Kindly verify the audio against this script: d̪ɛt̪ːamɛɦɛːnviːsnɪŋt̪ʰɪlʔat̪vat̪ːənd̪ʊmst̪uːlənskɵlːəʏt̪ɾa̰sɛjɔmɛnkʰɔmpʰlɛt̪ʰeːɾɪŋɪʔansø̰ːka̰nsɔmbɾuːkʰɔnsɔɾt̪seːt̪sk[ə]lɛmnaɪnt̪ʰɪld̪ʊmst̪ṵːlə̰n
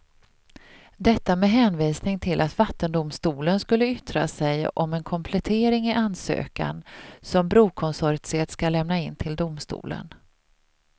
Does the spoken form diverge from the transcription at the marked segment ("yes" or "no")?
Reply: yes